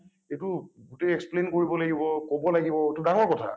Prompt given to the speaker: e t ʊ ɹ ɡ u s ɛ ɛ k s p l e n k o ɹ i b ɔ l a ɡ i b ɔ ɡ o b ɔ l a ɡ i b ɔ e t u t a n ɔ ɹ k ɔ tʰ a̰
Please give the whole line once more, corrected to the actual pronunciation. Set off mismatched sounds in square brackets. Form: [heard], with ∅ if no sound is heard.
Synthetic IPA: e t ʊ [∅] ɡ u [t] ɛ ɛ k s p l e n k o ɹ i b ɔ l a ɡ i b ɔ [k] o b ɔ l a ɡ i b ɔ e t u [d] a [ŋ] ɔ ɹ k ɔ tʰ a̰